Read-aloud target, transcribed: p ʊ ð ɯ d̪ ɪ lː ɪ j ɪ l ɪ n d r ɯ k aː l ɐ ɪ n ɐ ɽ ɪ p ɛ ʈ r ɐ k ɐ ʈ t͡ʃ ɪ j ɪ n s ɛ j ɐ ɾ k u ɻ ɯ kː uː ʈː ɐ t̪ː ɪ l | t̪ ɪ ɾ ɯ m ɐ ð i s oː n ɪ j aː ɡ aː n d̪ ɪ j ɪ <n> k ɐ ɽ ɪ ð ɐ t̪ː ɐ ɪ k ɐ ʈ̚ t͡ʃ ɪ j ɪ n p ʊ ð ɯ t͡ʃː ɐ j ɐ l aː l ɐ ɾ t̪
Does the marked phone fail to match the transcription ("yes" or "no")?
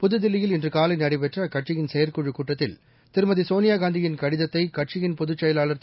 no